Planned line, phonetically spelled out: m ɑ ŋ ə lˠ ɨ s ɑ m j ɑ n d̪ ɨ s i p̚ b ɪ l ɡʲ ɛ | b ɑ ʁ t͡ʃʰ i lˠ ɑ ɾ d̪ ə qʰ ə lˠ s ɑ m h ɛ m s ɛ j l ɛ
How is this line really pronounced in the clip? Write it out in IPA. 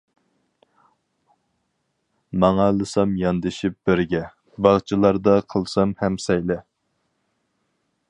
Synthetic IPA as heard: m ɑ ŋ ɑ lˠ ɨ s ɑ m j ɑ n d̪ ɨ ʃ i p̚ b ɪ ɾ ɡʲ ɛ | b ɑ ʁ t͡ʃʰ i lˠ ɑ ɾ d̪ ɑ qʰ ə lˠ s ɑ m h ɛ m s ɛ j l ɛ